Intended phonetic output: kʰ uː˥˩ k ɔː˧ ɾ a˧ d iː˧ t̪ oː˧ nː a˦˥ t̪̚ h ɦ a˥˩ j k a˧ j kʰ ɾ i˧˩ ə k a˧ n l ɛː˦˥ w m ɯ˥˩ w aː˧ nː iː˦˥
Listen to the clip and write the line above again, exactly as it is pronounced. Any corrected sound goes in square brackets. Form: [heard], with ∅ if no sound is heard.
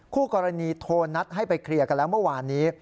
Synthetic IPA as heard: kʰ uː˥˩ k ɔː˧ ɾ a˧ [n] iː˧ [t̪ʰ] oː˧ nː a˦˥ t̪̚ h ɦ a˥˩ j [p] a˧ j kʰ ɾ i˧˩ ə k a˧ n l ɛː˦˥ w m ɯ˥˩ w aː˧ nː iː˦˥